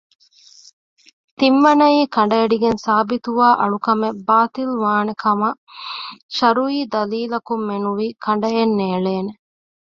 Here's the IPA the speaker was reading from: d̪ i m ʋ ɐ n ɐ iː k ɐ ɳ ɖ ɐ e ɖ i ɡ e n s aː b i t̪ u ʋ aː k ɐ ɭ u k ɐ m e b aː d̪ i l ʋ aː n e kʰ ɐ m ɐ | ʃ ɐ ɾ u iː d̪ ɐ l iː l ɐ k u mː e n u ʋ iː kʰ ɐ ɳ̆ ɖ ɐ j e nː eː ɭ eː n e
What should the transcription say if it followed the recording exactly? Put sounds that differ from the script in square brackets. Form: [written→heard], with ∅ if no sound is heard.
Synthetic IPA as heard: [d̪→t̪] i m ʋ ɐ n ɐ iː k ɐ ɳ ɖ ɐ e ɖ i ɡ e n s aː b i t̪ u ʋ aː [k→ʔ] ɐ ɭ u k ɐ m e b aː [d̪→t̪] i l ʋ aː n e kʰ ɐ m ɐ | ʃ ɐ ɾ u iː d̪ ɐ l iː l ɐ k u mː e n u ʋ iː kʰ ɐ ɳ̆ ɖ ɐ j e nː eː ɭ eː n e

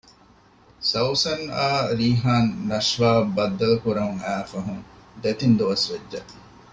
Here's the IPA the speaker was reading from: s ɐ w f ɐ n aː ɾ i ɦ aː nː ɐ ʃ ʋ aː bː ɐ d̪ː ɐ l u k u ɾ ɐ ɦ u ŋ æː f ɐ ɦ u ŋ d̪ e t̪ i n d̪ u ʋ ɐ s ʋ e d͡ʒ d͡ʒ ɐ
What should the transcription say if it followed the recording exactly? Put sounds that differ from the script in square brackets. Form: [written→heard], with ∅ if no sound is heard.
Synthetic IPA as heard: s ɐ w [f→s] ɐ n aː ɾ [i→iː] ɦ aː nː ɐ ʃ ʋ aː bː ɐ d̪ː ɐ l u k u ɾ ɐ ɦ u ŋ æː f ɐ ɦ u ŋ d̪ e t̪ i n d̪ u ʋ ɐ s ʋ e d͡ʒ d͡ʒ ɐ

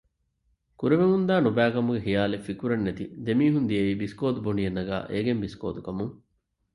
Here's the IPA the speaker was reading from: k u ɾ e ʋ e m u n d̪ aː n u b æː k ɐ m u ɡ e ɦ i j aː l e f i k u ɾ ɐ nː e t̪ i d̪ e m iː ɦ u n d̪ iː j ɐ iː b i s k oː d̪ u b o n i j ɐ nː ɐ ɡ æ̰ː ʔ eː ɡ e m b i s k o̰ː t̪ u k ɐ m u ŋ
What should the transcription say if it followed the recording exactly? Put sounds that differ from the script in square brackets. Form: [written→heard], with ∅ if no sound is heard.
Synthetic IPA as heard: k u ɾ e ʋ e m u n d̪ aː n u b æː k ɐ m u ɡ e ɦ i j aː l e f i k u ɾ ɐ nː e t̪ i d̪ e m iː ɦ u n d̪ [iː→i] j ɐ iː b i s k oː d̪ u b o n i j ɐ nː ɐ ɡ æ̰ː ʔ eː ɡ e m b i s k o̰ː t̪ u k ɐ m u ŋ

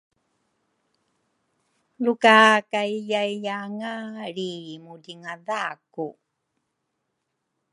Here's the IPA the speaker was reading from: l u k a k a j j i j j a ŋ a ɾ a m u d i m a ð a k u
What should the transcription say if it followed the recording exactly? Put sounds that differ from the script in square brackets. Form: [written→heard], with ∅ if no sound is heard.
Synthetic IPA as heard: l u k a k a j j [i→a] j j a ŋ a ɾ [a→i] m u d i [m→ŋ] a ð a k u

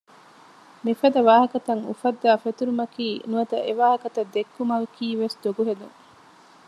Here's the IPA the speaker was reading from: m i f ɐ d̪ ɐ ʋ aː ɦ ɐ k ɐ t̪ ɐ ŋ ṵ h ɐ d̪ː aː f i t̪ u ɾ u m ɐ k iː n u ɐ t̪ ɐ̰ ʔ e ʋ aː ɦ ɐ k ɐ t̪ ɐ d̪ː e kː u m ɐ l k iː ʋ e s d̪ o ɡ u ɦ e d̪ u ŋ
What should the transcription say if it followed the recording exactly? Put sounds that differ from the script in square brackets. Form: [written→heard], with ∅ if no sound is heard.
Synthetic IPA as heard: m i f ɐ d̪ ɐ ʋ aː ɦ ɐ k ɐ t̪ ɐ ŋ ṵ [h→f] ɐ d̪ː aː f [i→e] t̪ u ɾ u m ɐ k iː n u ɐ t̪ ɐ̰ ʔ e ʋ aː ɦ ɐ k ɐ t̪ ɐ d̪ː e kː u m ɐ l k iː ʋ e s d̪ o ɡ u ɦ e d̪ u ŋ

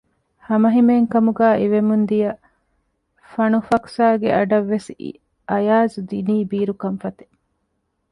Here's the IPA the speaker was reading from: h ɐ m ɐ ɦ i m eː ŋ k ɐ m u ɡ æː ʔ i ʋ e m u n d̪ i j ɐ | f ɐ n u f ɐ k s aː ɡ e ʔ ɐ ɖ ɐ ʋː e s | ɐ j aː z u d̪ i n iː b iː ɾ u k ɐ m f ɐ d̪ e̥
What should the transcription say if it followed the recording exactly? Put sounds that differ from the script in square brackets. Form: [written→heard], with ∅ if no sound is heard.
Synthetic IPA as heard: h ɐ m ɐ ɦ i m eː ŋ k ɐ m u ɡ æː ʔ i ʋ e m u n d̪ i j ɐ | f ɐ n u f ɐ k s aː ɡ e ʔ ɐ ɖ ɐ ʋː e s | ɐ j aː z u d̪ i n iː b iː ɾ u k ɐ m f ɐ [d̪→t̪] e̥

